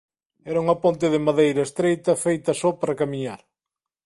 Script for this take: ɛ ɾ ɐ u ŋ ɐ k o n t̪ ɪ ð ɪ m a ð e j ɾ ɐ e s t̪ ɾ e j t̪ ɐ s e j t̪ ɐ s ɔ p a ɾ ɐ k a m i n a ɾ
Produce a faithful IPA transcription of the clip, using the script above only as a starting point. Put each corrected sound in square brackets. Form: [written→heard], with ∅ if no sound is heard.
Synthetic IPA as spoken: ɛ ɾ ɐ u ŋ ɐ [k→p] o n t̪ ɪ ð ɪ m a ð e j ɾ ɐ e s t̪ ɾ e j t̪ ɐ [s→f] e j t̪ ɐ s ɔ p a ɾ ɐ k a m i [n→ɲ] a ɾ

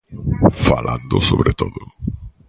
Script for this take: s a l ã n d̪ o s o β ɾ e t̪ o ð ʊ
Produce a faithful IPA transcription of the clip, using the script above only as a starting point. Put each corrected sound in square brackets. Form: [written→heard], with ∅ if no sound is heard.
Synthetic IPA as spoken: [s→f] a l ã n d̪ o s o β ɾ e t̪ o ð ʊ

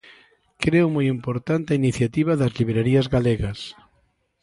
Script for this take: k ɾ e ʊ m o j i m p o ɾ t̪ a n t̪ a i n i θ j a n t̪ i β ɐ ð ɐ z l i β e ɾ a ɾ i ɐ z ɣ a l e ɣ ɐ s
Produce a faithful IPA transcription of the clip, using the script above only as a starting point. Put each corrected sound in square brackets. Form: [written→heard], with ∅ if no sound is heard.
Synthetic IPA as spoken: k ɾ e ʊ m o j i m p o ɾ t̪ a n t̪ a i n i θ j a [n→∅] t̪ i β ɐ ð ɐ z l i β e ɾ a ɾ i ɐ z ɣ a l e ɣ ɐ s

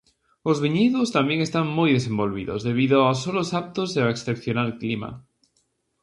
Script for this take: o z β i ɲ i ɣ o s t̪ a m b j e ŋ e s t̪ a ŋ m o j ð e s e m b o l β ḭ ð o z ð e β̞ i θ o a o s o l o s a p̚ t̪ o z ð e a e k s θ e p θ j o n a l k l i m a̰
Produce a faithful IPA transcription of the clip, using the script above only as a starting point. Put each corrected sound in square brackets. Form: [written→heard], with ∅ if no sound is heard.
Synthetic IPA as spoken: o z β i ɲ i [ɣ→ð] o s t̪ a m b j e ŋ e s t̪ a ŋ m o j ð e s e m b o l β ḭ ð o z ð e β̞ i [θ→ð] o a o s o l o s a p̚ t̪ o z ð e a e k s θ e p θ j o n a l k l i m a̰

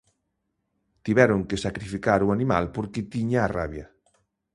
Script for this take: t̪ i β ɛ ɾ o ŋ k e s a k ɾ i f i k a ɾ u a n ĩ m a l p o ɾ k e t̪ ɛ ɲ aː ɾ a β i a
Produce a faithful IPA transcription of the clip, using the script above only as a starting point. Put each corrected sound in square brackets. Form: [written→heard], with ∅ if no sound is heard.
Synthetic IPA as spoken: t̪ i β ɛ ɾ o ŋ k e s a k ɾ i f i k a ɾ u a n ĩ m a l p o ɾ k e t̪ [ɛ→i] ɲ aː [ɾ→r] a β [i→j] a

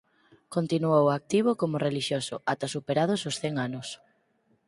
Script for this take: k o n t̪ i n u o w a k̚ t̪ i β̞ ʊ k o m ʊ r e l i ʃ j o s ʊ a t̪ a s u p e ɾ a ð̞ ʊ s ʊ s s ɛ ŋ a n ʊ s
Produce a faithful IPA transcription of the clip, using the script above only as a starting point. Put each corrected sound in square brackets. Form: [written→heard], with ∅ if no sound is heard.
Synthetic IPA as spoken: k o n t̪ i n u o w a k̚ t̪ i β̞ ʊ k o m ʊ r e l i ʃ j o s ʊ a t̪ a s u p e ɾ a ð̞ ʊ s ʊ s [s→θ] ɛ ŋ a n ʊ s

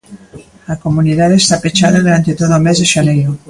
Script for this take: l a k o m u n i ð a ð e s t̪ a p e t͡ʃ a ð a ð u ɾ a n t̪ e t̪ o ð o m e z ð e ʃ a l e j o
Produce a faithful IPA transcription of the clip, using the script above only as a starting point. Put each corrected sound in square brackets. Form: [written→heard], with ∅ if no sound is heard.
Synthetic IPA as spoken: l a k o m u n i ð a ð e s t̪ a p e t͡ʃ a ð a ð u ɾ a n t̪ e t̪ o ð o m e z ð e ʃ a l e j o

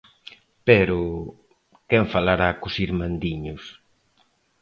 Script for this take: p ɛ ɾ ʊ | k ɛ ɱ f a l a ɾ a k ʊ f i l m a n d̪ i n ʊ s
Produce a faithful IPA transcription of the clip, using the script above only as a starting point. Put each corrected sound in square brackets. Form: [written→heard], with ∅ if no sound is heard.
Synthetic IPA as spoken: p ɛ ɾ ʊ | k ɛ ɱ f a l a ɾ a k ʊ [f→s] i [l→ɾ] m a n d̪ i [n→ɲ] ʊ s

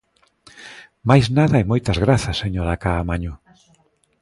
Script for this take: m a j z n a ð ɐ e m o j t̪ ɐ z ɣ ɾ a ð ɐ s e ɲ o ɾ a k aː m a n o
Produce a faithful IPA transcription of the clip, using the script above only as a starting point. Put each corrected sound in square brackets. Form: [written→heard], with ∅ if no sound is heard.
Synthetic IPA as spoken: m a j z n a ð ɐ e m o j t̪ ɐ z ɣ ɾ a [ð→θ] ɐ s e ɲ o ɾ a k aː m a [n→ɲ] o

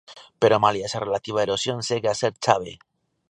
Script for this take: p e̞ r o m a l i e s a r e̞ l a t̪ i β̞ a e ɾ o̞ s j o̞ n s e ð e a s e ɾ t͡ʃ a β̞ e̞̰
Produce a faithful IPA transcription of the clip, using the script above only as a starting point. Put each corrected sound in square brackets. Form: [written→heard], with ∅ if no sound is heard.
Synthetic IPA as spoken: p e̞ [r→ɾ] o m a l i e s a r e̞ l a t̪ i β̞ a e ɾ o̞ s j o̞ n s e [ð→ɣ] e a s e ɾ t͡ʃ a β̞ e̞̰

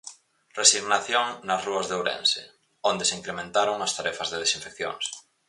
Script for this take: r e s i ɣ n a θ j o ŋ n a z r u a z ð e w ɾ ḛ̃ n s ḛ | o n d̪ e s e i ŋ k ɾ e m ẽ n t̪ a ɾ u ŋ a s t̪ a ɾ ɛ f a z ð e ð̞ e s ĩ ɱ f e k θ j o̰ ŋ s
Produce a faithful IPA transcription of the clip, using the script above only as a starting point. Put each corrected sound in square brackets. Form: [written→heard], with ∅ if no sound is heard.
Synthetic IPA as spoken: r e s i ɣ n a θ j o ŋ n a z r u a z ð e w ɾ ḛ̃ n s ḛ | o n d̪ e s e i ŋ k ɾ e m ẽ n t̪ a ɾ [u→o] ŋ a s t̪ a ɾ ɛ f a z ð e ð̞ e s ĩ ɱ f e k θ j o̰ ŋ s

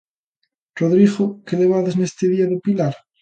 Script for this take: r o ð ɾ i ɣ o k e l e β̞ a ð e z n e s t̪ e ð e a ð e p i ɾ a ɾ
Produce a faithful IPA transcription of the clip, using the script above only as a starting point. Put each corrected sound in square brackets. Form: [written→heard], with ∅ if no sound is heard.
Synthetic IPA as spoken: r o ð ɾ i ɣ o k e l e β̞ a ð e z n e s t̪ e ð [e→i] a ð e p i [ɾ→l] a ɾ

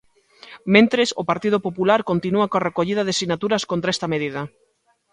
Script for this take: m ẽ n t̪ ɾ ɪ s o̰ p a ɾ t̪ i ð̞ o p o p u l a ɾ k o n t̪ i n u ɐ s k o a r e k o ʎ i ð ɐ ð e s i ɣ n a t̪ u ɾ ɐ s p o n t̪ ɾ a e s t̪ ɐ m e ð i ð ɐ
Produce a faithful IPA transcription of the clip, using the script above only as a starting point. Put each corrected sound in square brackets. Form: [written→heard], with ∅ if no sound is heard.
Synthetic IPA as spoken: m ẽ n t̪ ɾ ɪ s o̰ p a ɾ t̪ i ð̞ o p o p u l a ɾ k o n t̪ i n u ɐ [s→∅] k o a r e k o ʎ i ð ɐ ð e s i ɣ n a t̪ u ɾ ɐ s [p→k] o n t̪ ɾ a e s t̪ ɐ m e ð i ð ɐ

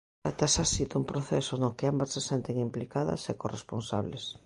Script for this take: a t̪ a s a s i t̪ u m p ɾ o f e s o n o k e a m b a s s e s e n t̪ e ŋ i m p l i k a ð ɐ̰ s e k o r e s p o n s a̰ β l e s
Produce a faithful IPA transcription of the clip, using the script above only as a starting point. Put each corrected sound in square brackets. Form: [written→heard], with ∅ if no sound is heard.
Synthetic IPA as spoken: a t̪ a s a s i t̪ u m p ɾ o [f→θ] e s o n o k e a m b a s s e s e n t̪ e ŋ i m p l i k a ð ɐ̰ s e k o r e s p o n s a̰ β l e s

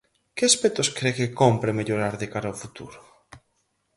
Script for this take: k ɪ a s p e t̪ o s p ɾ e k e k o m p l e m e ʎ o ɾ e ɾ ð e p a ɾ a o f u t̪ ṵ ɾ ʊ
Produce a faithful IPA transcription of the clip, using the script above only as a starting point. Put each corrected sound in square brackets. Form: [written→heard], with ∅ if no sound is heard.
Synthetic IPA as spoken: k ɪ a s p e t̪ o s [p→k] ɾ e k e k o m p [l→ɾ] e m e ʎ o ɾ [e→a] ɾ ð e [p→k] a ɾ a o f u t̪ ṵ ɾ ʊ

